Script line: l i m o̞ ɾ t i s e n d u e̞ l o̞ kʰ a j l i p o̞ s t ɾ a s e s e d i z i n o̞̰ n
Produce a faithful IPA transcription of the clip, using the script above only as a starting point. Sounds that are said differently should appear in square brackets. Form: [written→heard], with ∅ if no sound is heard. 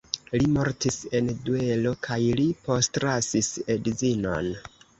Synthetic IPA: l i m o̞ ɾ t i s e n d u e̞ l o̞ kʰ a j l i p o̞ s t ɾ a s [e→i] s e d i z i n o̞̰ n